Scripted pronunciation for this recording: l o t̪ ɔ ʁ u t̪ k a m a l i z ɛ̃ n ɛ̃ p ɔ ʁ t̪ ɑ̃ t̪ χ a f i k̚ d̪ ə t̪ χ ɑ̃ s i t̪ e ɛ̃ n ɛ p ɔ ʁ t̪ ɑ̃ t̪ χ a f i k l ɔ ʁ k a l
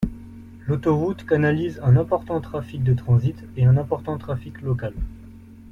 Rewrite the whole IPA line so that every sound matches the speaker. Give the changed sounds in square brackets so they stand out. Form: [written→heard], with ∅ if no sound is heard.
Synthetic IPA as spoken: l o t̪ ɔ ʁ u t̪ k a [m→n] a l i z ɛ̃ n ɛ̃ p ɔ ʁ t̪ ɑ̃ t̪ χ a f i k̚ d̪ ə t̪ χ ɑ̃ [s→z] i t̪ e ɛ̃ n [ɛ→ɛ̃] p ɔ ʁ t̪ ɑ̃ t̪ χ a f i k l ɔ [ʁ→∅] k a l